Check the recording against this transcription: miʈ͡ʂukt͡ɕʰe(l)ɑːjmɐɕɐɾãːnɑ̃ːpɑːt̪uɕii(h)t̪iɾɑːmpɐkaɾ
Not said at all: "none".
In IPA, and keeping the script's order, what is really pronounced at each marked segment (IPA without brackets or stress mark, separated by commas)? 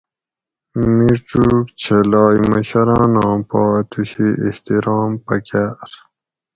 l, h